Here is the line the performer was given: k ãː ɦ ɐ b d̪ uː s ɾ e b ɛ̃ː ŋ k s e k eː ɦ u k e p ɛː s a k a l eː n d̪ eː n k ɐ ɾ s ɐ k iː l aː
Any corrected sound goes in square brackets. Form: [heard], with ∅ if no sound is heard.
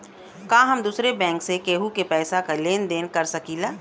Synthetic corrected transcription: k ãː ɦ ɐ [m] d̪ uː s ɾ e b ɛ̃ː ŋ k s e k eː ɦ u k e p ɛː s a k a l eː n d̪ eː n k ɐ ɾ s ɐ k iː l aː